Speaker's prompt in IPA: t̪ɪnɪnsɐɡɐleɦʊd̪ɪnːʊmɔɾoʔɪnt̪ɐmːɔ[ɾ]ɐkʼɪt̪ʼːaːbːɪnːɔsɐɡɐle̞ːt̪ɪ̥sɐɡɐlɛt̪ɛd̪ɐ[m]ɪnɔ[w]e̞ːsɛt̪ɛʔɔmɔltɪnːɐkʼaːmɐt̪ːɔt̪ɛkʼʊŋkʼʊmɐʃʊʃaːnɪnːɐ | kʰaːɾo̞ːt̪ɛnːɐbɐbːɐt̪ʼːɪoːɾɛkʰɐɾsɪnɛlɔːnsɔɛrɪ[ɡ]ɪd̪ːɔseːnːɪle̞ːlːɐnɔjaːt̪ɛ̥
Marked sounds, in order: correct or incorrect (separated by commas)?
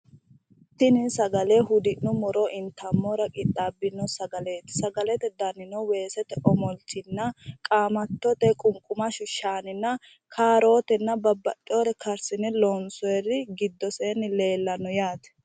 correct, incorrect, correct, correct